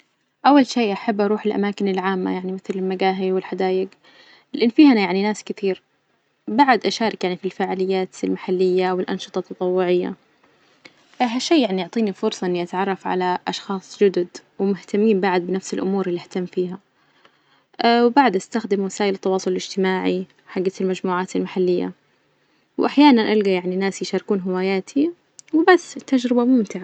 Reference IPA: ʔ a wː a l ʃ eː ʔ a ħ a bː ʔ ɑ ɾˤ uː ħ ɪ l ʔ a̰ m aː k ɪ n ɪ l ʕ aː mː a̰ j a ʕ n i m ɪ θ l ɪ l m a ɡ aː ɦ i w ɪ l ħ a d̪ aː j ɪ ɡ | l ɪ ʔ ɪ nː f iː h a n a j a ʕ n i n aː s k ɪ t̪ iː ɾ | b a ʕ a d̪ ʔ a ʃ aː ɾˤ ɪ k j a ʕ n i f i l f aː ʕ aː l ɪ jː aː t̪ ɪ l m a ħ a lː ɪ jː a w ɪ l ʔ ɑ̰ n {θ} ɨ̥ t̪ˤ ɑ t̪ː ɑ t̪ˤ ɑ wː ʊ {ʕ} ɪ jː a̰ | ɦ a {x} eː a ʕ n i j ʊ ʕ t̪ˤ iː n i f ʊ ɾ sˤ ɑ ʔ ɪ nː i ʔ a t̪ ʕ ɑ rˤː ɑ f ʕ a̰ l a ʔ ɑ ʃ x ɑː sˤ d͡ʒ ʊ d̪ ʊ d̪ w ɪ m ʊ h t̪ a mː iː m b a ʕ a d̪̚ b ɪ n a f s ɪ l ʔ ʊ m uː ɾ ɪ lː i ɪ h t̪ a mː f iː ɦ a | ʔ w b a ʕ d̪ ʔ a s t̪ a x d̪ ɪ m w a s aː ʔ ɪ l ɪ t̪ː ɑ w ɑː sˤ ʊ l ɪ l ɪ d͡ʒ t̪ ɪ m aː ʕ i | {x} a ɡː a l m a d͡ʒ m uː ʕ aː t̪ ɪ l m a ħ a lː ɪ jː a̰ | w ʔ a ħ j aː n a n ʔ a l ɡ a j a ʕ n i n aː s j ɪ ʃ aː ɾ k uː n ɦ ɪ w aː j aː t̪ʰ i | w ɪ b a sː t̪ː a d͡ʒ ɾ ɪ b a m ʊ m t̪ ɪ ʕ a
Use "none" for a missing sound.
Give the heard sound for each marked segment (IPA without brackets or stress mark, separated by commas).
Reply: ʃ, ʕ, ʃ, ħ